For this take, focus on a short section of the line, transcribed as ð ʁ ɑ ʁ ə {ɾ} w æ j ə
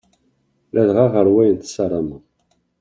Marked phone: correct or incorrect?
correct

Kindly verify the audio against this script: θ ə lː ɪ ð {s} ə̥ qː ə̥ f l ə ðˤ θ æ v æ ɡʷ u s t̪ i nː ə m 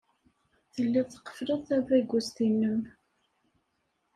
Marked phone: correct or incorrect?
incorrect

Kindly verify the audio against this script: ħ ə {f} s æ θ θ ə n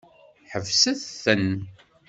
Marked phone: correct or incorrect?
incorrect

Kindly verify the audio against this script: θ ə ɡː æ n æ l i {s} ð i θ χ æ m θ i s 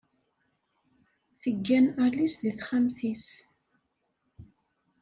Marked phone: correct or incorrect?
correct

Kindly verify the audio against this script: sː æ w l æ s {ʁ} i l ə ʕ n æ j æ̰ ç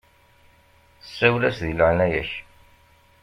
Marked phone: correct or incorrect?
incorrect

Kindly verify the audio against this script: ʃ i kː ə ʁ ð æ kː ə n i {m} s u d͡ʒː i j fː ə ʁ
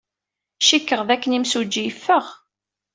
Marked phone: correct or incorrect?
correct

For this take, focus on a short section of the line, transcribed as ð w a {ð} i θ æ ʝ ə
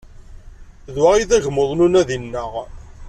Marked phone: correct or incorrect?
incorrect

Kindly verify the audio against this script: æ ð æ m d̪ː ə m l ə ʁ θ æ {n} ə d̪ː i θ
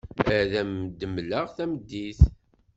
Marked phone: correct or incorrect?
incorrect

